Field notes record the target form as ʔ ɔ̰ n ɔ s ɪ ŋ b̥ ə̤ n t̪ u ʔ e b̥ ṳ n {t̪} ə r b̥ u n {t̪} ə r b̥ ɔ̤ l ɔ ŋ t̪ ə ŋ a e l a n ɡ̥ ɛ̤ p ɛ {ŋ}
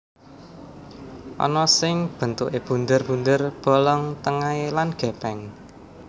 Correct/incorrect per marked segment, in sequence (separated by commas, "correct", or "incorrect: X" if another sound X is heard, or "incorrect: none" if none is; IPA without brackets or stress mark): incorrect: d̪, incorrect: d̪, correct